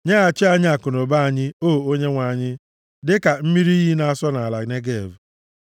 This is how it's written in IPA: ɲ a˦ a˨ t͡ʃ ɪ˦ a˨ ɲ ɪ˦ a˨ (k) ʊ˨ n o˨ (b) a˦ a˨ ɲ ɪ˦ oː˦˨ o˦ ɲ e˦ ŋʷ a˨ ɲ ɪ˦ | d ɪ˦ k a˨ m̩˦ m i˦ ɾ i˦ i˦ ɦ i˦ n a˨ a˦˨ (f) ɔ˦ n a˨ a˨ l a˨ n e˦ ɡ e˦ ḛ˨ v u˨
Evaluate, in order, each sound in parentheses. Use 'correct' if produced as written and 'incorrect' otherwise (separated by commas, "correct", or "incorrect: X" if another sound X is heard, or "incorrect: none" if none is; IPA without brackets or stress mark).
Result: correct, correct, incorrect: s